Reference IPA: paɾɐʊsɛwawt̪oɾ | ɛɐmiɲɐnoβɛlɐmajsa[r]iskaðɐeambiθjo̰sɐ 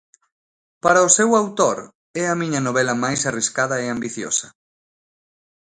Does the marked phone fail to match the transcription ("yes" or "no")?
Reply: no